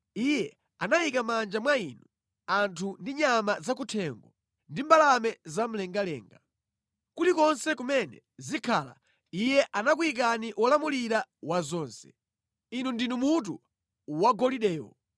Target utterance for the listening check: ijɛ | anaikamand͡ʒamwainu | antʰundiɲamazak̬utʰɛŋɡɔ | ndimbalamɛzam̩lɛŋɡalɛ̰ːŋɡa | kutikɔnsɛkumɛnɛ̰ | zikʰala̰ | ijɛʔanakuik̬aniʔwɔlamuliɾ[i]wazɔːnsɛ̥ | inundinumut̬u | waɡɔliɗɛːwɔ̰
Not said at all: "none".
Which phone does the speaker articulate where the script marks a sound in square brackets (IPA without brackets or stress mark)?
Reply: a